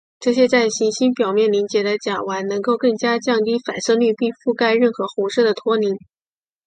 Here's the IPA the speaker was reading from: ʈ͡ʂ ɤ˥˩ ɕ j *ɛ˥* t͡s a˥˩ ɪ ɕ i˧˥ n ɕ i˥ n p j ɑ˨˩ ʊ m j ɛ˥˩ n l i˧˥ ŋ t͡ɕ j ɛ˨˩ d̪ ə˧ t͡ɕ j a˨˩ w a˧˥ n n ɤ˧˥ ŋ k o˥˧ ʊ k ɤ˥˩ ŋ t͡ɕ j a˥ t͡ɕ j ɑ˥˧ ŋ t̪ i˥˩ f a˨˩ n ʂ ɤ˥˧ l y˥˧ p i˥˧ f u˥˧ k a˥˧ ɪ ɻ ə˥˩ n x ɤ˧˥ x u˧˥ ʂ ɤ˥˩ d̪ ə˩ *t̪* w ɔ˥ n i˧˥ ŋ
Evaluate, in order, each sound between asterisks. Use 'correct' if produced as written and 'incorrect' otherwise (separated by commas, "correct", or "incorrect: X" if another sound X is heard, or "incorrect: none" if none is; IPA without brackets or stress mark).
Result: correct, incorrect: t̪ʰ